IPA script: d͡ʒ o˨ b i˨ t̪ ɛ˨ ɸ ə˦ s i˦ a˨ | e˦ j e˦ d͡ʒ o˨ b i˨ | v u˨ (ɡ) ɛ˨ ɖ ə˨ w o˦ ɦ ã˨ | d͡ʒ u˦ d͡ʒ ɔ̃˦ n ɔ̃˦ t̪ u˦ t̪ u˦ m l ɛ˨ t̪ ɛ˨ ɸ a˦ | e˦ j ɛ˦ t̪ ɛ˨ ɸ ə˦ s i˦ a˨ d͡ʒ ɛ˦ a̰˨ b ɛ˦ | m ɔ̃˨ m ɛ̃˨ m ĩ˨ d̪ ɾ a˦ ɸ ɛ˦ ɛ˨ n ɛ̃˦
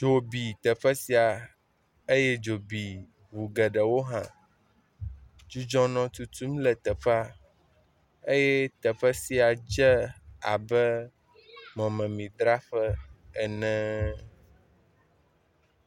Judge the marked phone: correct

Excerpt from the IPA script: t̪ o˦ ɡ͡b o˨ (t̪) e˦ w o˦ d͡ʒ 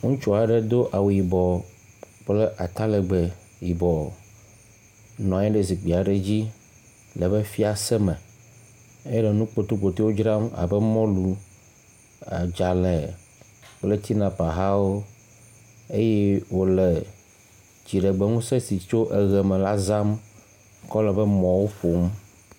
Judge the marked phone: correct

